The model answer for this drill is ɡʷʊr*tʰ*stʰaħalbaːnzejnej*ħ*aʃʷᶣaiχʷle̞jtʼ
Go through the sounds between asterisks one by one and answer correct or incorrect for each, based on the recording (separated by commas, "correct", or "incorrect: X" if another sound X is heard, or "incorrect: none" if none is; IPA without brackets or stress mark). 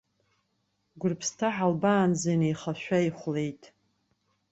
incorrect: pʰ, incorrect: χ